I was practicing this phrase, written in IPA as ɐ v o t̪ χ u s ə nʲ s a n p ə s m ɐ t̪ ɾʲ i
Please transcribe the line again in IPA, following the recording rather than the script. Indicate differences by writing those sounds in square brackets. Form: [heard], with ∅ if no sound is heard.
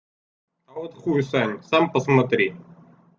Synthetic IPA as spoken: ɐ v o t̪ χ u s [a] nʲ s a [m] p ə s m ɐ t̪ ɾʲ i